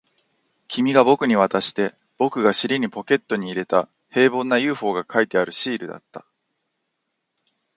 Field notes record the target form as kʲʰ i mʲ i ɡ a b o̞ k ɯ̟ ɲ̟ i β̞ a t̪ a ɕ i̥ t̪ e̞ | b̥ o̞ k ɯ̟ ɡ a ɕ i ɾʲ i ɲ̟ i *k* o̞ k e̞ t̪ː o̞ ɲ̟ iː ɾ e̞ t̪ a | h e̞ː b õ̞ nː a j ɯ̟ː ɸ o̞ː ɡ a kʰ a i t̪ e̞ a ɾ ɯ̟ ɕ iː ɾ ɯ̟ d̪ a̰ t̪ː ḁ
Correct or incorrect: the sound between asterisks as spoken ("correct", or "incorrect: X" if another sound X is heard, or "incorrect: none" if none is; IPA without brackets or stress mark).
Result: incorrect: p